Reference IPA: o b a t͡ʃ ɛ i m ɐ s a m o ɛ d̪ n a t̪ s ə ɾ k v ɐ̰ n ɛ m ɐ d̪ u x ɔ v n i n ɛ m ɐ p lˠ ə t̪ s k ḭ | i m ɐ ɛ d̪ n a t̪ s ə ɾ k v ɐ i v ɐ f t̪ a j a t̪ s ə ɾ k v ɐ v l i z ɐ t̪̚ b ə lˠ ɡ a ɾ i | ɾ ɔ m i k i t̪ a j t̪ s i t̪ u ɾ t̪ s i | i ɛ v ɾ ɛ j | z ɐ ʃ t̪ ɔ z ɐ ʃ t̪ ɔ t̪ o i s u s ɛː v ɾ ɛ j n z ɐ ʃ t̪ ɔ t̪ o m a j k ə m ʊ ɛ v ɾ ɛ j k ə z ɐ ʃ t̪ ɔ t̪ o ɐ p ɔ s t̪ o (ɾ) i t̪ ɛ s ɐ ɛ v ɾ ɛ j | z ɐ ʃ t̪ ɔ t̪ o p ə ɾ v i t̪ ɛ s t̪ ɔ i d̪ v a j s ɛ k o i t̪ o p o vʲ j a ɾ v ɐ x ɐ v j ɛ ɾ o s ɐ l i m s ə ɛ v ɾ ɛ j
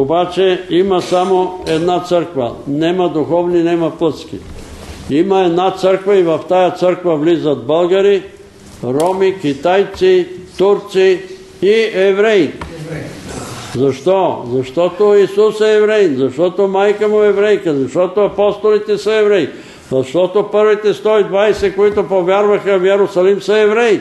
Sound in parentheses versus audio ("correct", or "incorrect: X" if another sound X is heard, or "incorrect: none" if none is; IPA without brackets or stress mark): incorrect: l